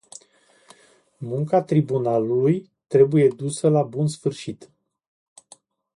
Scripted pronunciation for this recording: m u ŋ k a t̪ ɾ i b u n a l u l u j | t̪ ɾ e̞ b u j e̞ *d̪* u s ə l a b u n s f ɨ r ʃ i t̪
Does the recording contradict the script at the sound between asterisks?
no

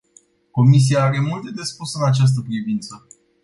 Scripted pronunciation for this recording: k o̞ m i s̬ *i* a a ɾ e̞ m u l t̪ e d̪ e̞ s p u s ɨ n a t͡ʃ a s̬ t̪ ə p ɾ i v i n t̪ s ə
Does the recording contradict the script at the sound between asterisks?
no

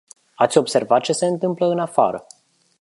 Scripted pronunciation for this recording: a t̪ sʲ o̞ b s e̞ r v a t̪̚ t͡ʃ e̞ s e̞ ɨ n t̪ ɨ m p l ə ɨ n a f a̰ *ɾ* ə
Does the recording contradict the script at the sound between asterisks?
no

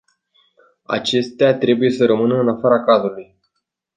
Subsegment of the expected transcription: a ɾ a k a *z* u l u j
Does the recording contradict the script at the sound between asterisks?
no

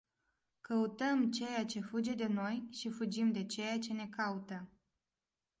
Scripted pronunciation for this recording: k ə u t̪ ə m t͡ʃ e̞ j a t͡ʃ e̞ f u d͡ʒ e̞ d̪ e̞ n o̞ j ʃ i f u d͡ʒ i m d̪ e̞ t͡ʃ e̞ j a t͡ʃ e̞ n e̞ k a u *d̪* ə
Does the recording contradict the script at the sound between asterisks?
yes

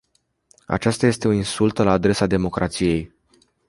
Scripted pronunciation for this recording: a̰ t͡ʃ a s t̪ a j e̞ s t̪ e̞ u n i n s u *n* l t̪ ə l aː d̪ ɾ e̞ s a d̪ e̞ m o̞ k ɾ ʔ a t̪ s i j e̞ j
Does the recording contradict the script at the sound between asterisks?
yes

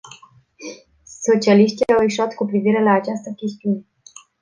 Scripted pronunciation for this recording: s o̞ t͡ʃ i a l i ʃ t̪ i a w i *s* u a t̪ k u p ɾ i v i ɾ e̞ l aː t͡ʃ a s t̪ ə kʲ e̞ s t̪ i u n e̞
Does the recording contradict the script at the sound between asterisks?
yes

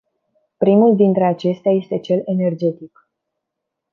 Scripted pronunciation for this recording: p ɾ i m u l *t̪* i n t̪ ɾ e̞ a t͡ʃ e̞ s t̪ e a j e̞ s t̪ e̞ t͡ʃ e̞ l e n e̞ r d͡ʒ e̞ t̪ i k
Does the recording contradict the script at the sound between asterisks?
yes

